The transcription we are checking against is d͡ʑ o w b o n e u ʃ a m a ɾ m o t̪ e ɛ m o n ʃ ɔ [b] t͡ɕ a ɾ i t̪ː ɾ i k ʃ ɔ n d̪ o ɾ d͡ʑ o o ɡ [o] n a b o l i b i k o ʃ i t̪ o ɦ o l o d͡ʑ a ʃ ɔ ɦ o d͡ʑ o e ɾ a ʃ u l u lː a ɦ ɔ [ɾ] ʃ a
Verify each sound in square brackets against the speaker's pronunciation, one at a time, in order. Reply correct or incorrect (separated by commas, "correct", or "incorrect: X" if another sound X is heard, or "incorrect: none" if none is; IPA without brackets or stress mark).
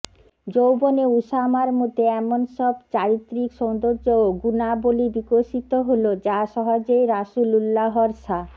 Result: correct, incorrect: u, correct